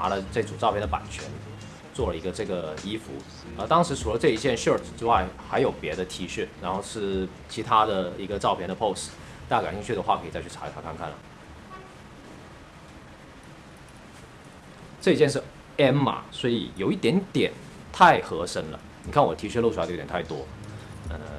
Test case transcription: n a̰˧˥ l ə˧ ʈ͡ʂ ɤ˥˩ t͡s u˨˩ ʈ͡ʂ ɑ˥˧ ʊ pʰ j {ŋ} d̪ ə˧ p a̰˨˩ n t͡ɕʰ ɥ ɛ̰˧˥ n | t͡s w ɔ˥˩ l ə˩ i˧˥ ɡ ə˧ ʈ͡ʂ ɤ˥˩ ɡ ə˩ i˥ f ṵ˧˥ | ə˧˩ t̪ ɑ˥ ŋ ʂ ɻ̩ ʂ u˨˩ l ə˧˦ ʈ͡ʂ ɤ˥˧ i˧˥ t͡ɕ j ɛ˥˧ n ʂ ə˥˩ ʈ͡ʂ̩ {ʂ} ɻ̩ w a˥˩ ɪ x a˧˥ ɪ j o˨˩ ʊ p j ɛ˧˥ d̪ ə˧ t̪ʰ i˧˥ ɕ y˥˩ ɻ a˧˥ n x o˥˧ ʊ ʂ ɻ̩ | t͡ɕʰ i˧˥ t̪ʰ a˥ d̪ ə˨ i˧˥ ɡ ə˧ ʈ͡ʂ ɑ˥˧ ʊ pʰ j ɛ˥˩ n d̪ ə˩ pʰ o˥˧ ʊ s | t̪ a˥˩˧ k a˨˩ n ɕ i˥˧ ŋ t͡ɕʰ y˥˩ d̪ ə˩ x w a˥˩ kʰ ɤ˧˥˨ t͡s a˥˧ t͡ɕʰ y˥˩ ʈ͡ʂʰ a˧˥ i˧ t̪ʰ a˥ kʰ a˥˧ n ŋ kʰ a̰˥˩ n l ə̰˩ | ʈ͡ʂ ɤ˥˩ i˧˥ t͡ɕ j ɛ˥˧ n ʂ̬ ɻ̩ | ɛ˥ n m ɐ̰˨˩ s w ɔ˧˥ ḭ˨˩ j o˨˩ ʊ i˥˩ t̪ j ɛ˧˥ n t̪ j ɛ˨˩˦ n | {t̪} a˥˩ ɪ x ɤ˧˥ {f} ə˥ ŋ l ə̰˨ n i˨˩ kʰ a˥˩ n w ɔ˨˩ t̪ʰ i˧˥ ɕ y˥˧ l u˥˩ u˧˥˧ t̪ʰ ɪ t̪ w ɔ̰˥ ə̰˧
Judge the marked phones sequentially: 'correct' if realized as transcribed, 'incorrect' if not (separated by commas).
incorrect, incorrect, incorrect, incorrect